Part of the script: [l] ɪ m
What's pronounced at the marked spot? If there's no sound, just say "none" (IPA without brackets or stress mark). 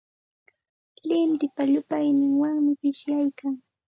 l